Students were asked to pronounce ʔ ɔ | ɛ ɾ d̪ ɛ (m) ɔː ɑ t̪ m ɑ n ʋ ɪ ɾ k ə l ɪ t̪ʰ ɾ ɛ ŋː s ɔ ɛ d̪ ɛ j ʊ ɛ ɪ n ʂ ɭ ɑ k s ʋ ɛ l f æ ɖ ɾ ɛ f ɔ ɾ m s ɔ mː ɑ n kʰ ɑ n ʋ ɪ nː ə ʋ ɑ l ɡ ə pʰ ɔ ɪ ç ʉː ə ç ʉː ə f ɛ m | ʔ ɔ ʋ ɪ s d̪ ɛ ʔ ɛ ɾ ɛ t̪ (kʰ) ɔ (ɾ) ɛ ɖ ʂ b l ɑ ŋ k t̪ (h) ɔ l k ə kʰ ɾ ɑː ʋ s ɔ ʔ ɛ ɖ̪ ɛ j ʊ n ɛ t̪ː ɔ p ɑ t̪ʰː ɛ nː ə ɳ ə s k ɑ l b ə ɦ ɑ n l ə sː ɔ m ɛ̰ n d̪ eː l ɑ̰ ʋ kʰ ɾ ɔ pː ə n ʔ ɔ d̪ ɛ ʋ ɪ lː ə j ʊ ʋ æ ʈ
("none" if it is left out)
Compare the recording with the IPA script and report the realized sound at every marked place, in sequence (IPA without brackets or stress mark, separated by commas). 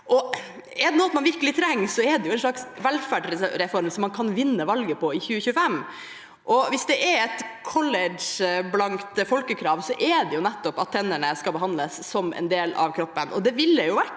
n, kʰ, l, f